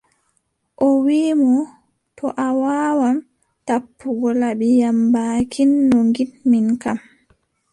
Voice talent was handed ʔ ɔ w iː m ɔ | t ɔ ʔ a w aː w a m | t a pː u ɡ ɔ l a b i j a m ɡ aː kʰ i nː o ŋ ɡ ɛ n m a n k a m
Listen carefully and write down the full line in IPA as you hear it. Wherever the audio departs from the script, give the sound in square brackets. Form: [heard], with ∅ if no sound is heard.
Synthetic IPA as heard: ʔ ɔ w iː m ɔ | t ɔ ʔ a w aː w a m | t a pː u ɡ ɔ l a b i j a m [b] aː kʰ i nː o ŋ ɡ [i] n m [i] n k a m